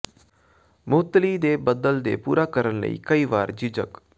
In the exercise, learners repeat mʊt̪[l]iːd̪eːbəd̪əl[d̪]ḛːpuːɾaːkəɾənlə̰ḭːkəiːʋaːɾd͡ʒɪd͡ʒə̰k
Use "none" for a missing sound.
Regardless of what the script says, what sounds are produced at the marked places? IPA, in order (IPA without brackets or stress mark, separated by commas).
l, d̪